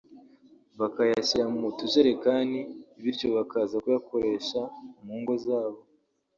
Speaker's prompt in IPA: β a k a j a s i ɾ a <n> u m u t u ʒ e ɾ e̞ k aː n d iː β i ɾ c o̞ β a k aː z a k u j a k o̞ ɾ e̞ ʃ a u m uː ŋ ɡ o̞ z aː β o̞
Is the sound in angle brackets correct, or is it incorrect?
incorrect